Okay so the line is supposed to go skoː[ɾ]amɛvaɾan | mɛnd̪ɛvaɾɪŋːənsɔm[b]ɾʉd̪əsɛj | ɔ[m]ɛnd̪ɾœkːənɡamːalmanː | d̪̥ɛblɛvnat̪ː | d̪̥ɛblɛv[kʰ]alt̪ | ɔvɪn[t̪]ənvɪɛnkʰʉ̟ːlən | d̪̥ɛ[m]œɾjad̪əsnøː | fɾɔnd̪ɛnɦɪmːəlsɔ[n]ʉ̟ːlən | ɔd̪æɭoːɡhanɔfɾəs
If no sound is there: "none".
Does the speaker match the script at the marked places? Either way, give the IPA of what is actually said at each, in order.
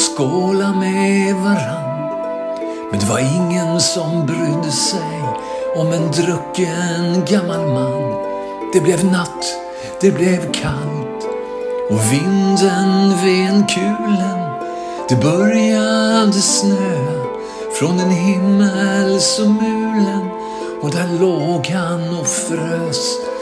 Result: l, b, m, kʰ, d̪, b, m

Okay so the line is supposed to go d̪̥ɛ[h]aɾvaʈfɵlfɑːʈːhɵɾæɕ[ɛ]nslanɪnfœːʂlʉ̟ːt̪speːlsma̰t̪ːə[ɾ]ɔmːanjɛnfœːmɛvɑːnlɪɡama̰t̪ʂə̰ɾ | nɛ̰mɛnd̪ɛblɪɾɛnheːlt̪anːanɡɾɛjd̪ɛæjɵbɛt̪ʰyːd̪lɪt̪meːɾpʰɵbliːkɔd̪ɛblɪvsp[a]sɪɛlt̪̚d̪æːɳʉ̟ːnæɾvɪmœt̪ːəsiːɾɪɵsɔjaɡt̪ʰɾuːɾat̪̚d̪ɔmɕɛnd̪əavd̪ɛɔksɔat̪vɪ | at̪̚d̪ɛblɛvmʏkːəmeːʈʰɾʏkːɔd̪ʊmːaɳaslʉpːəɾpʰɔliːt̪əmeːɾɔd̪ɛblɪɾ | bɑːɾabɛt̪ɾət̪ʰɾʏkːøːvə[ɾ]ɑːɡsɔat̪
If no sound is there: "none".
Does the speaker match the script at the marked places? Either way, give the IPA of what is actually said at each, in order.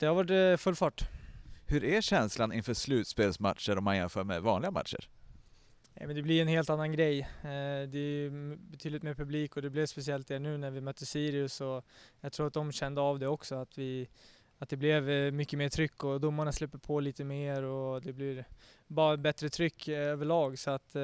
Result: h, ɛ, ɾ, ɛ, ɭ

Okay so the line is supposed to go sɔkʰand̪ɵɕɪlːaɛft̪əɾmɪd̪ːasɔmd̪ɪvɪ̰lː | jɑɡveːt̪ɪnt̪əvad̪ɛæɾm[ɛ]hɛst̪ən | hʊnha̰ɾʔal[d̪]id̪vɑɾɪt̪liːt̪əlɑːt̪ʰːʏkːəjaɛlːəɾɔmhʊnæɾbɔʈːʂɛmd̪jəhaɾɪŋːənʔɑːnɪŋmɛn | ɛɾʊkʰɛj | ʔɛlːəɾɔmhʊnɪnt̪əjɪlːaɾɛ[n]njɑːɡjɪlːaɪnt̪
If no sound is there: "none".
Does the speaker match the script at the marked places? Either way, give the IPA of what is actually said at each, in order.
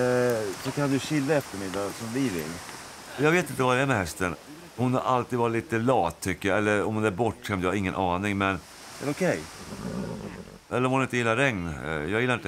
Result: ɛ, t̪, ŋ

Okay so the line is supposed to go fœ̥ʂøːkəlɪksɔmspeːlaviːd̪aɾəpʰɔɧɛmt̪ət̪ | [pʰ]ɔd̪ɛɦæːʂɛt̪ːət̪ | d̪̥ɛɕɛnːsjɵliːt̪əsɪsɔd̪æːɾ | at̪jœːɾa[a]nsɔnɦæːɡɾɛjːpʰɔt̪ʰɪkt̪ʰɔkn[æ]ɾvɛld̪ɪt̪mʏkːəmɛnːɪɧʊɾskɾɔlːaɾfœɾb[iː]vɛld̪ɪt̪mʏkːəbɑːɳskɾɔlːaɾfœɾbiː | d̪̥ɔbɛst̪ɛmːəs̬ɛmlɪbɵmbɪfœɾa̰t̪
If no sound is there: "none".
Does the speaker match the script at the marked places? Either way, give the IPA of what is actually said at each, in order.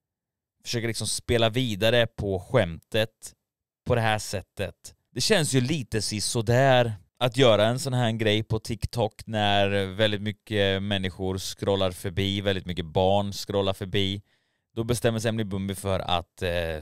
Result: pʰ, ɛ, æ, iː

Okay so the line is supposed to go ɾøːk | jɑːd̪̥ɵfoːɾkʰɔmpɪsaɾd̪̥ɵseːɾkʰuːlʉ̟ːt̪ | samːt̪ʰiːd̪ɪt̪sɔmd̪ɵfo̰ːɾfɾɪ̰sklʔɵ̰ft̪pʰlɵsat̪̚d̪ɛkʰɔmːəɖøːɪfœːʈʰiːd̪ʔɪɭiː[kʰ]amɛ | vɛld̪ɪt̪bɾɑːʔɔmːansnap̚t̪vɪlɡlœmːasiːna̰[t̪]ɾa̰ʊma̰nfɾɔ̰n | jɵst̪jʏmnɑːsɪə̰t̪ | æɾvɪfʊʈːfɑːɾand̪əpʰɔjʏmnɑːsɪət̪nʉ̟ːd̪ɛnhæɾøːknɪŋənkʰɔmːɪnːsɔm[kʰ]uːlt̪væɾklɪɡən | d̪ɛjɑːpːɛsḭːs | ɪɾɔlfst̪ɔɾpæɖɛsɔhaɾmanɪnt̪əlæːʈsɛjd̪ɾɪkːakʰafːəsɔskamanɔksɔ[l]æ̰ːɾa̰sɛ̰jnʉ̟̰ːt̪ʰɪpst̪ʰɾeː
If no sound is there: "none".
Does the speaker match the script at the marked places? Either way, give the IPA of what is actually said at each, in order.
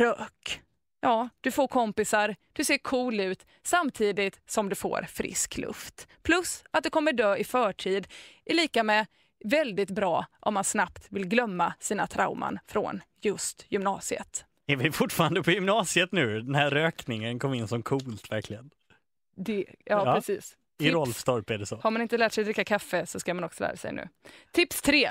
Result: k, t̪ʰ, kʰ, l

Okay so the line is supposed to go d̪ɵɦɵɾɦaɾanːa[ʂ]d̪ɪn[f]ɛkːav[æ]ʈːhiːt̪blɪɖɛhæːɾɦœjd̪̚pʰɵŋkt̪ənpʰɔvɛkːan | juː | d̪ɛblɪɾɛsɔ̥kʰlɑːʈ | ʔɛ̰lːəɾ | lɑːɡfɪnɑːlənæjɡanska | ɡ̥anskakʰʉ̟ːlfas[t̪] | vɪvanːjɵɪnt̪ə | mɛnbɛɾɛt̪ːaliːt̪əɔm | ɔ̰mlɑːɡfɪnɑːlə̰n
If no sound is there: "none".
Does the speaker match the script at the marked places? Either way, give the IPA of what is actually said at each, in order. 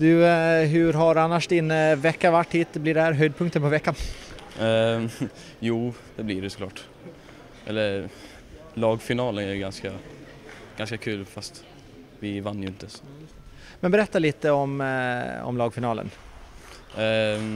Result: ʂ, v, a, t̪

